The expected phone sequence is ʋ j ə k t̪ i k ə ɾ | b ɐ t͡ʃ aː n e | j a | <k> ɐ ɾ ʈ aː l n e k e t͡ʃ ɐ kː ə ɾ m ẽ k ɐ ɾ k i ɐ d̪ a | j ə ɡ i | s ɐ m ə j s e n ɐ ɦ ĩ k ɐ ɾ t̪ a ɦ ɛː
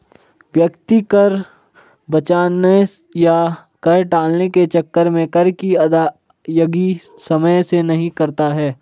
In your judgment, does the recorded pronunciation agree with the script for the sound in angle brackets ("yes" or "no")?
yes